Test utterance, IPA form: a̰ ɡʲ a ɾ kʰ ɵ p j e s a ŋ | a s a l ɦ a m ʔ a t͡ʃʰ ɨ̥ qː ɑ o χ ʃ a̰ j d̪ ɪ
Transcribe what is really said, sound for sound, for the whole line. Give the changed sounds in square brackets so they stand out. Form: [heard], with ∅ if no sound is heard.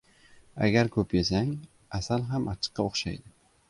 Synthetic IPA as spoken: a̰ ɡʲ a ɾ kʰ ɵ p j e s a ŋ | a s a l ɦ a m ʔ a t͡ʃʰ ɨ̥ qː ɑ o χ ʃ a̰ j d̪ ɪ